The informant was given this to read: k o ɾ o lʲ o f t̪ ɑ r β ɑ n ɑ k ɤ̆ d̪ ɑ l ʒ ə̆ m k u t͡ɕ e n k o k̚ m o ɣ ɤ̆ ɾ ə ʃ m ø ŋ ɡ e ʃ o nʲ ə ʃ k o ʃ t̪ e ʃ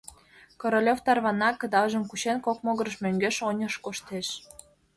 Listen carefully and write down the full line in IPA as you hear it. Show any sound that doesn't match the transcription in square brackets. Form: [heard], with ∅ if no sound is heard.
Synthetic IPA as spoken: k o ɾ o lʲ o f t̪ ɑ r β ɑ n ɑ k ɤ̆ d̪ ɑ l ʒ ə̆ m k u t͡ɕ e n k o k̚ m o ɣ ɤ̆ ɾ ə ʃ m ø ŋ ɡ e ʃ o nʲ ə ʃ k o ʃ t̪ e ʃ